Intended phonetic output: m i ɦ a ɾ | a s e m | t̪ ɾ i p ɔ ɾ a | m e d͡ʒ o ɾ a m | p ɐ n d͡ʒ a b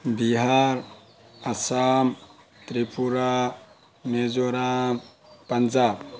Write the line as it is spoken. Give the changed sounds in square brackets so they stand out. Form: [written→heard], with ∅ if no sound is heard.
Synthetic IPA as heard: [m→b] i ɦ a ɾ | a s [e→a] m | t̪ ɾ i p [ɔ→u] ɾ a | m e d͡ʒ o ɾ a m | p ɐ n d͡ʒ a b